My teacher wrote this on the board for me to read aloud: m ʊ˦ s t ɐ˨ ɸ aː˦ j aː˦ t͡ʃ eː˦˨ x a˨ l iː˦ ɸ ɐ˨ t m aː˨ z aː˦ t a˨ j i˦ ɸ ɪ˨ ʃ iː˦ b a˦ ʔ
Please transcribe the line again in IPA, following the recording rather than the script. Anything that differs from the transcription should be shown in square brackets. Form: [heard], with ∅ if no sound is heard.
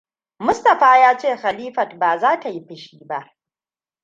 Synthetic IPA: m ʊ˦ s t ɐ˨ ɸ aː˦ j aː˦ t͡ʃ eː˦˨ x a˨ l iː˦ ɸ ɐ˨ t [b] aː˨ z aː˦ t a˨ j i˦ ɸ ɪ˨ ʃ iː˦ b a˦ ʔ